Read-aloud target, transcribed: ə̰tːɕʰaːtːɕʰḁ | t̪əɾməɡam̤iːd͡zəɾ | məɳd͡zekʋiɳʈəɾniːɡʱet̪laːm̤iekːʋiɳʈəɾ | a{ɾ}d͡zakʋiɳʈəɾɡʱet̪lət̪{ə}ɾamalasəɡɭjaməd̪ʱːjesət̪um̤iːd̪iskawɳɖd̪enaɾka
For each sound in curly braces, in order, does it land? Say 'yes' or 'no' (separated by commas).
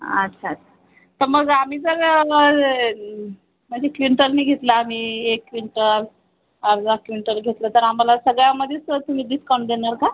yes, yes